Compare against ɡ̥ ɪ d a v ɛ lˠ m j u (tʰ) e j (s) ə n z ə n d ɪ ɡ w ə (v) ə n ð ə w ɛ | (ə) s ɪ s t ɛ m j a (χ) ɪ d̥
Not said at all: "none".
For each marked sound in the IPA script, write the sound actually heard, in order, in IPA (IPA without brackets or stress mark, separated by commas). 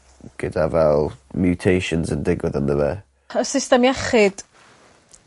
tʰ, ʃ, ð, ə, χ